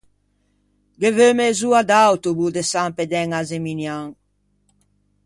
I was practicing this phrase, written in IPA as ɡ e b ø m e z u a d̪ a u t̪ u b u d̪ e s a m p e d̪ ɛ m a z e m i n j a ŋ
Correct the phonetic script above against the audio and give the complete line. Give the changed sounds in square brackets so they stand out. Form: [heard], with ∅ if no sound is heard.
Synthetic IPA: ɡ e [v] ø m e z u a d̪ a [w] t̪ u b u d̪ e s a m p e d̪ ɛ [ŋ] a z e m i n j a ŋ